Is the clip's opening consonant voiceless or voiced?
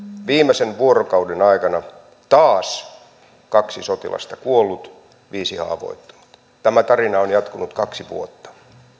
voiced